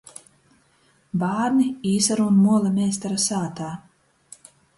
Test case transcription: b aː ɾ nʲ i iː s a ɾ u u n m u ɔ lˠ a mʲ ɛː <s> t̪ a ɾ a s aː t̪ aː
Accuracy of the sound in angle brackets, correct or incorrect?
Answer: correct